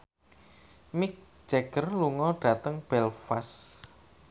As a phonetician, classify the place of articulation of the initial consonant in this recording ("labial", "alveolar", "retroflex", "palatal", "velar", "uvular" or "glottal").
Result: labial